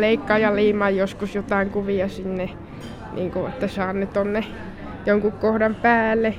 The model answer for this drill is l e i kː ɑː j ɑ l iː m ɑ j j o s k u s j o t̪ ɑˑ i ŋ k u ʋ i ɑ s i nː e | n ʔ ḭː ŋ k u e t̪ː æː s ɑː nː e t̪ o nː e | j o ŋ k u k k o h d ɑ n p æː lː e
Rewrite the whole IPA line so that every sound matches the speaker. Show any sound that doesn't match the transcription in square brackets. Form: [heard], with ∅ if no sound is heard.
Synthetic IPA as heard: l e i kː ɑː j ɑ l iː m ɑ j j o s k u s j o t̪ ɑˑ i ŋ k u ʋ i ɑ s i nː e | n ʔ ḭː ŋ k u e t̪ː [æ] s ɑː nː e t̪ o nː e | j o ŋ k u k k o h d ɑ [m] p æː lː e